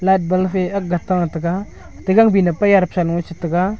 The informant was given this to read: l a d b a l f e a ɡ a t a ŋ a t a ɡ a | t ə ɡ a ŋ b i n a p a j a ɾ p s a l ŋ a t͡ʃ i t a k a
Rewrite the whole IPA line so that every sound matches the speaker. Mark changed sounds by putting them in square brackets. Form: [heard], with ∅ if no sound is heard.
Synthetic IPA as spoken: l a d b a l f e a ɡ a t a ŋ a t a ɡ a | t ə ɡ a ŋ b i n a p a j a ɾ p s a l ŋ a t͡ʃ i t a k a